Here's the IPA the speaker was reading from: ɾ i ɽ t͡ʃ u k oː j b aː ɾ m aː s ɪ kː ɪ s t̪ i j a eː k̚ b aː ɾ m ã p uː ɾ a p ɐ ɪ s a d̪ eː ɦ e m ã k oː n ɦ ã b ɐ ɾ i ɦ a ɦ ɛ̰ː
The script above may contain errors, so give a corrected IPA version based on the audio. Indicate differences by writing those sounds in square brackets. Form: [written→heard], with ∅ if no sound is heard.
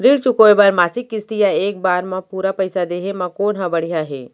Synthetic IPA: ɾ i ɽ t͡ʃ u k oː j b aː ɾ m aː s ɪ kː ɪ s t̪ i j a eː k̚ b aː ɾ m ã p uː ɾ a p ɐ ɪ s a d̪ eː ɦ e m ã k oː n ɦ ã b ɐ [ɾ→ɽ] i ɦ a ɦ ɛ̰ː